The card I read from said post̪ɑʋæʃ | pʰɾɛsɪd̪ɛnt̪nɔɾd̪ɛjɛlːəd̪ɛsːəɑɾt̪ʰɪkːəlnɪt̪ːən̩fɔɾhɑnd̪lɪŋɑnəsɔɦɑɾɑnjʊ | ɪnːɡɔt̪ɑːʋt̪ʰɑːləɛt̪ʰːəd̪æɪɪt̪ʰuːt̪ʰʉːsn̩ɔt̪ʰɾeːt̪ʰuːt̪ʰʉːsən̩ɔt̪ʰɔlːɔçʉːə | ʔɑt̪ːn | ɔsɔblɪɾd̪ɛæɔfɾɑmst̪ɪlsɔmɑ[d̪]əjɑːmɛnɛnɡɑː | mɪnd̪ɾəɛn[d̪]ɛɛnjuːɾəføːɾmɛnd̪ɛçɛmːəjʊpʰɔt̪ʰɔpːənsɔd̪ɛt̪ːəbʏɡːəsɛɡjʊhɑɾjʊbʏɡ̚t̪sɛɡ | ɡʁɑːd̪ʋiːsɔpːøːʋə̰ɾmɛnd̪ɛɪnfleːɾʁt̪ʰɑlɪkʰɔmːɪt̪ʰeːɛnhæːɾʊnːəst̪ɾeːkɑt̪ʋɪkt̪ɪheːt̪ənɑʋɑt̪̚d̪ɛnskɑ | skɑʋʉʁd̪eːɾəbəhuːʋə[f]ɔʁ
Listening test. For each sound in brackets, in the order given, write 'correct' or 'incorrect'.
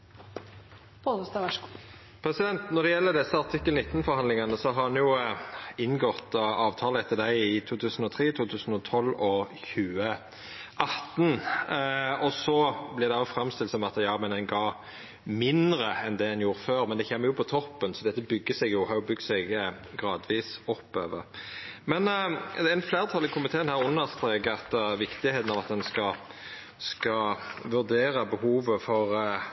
incorrect: t̪, correct, correct

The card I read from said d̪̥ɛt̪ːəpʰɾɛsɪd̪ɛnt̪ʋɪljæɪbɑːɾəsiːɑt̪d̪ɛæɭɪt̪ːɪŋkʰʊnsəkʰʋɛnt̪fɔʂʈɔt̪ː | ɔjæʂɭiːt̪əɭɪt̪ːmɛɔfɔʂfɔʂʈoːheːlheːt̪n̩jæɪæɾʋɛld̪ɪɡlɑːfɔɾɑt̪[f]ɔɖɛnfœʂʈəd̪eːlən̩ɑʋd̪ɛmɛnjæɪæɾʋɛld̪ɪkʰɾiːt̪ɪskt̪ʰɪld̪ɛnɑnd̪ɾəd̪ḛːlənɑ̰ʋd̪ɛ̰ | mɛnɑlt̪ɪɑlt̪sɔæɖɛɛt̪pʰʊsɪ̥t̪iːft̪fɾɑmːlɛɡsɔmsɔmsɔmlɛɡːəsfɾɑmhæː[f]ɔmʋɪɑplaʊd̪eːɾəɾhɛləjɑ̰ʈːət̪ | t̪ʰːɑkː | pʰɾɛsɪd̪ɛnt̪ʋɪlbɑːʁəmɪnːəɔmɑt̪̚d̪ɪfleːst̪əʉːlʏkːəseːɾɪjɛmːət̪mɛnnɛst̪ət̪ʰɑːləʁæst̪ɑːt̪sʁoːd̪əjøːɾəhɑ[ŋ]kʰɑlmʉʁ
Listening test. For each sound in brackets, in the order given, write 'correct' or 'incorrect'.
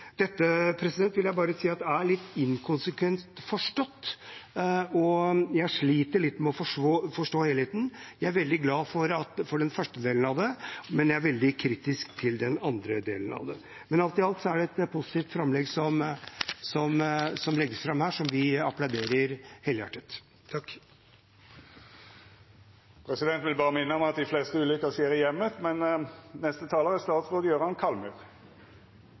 correct, incorrect: ʂ, incorrect: n

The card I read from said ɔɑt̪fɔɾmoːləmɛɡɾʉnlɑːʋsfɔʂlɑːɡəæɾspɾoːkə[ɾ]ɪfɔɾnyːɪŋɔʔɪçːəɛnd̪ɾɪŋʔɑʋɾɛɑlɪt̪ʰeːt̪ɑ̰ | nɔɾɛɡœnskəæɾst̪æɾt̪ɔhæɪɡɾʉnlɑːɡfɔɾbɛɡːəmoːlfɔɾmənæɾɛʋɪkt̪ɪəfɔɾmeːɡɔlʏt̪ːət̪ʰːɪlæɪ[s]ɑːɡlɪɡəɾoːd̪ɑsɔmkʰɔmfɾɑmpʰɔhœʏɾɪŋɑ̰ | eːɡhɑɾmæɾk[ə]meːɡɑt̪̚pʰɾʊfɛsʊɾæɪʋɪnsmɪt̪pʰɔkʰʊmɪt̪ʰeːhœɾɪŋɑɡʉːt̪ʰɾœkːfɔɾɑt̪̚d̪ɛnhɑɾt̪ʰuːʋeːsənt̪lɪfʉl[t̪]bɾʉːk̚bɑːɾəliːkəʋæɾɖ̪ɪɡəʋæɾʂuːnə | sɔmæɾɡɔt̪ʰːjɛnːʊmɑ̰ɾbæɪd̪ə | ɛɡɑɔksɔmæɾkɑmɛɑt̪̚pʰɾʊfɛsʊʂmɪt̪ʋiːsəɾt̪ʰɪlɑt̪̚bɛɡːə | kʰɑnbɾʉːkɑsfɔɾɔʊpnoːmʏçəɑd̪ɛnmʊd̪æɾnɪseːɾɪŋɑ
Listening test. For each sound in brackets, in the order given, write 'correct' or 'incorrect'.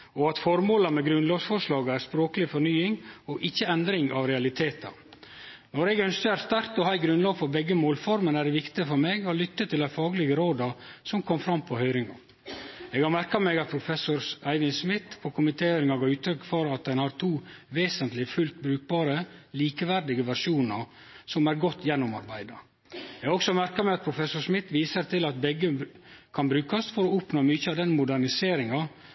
incorrect: l, incorrect: f, incorrect: ɑ, correct

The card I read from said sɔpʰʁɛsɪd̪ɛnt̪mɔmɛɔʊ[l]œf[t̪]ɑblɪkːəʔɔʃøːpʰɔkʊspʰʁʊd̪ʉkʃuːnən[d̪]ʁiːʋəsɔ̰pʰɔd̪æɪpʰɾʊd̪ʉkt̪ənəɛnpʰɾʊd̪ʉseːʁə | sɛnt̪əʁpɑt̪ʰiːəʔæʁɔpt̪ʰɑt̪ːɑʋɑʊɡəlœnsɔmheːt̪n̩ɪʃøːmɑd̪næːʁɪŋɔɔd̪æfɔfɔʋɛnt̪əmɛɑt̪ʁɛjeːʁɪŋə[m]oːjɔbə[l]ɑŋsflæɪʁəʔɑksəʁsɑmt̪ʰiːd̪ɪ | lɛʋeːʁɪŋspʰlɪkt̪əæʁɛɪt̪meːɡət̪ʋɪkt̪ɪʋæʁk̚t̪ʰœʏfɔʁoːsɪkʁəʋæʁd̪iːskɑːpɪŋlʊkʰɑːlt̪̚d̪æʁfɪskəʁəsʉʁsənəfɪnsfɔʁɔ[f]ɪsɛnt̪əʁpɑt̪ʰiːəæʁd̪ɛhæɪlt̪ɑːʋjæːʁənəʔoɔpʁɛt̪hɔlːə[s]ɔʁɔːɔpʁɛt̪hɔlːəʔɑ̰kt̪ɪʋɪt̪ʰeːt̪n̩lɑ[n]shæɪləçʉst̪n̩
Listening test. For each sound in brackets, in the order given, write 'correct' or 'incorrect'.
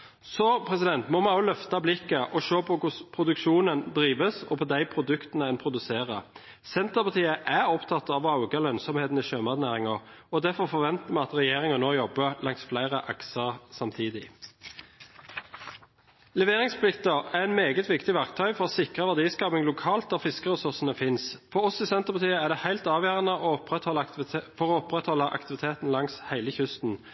correct, correct, correct, incorrect: n, correct, incorrect: s, incorrect: f, incorrect: ŋ

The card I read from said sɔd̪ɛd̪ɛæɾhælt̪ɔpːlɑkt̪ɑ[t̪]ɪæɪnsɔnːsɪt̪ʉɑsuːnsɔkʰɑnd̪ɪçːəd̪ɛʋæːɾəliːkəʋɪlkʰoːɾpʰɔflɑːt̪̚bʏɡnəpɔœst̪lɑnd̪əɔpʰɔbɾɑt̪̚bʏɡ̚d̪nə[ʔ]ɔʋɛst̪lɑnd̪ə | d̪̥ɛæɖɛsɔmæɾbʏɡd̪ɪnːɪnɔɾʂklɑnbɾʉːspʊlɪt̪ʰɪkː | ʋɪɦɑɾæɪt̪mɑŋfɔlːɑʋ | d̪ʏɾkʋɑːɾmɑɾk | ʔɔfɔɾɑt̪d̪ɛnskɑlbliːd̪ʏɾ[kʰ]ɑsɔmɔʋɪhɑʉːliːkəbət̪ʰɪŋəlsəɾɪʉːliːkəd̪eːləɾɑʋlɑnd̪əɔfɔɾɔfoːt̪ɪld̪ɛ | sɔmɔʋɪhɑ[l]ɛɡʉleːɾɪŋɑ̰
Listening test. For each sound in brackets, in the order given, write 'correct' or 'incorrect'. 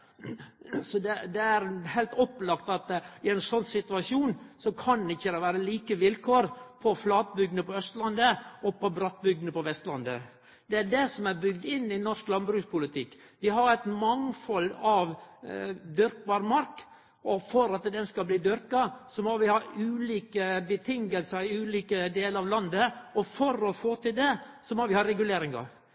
correct, incorrect: p, incorrect: k, incorrect: ɾ

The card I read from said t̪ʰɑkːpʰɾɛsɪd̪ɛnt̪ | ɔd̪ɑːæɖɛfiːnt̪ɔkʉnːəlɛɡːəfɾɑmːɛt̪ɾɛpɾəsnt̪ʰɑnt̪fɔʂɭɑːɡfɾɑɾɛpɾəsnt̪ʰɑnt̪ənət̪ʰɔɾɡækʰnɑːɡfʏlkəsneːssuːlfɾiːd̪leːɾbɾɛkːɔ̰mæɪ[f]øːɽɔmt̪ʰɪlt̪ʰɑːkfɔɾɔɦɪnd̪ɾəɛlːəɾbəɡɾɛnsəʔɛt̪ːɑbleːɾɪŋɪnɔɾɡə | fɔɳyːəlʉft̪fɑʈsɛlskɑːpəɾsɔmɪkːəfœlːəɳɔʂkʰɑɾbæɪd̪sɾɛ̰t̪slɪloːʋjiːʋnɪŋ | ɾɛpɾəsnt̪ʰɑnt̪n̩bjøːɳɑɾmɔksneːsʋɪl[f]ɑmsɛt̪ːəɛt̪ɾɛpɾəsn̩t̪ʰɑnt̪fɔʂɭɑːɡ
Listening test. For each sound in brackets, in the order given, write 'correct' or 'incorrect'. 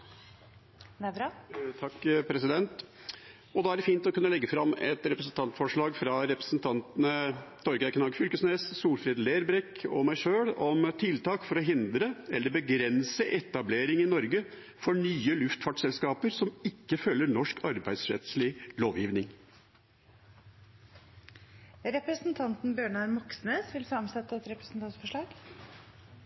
incorrect: ʂ, incorrect: s

